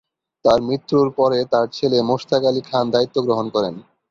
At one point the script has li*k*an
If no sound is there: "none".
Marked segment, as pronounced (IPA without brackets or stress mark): kʰ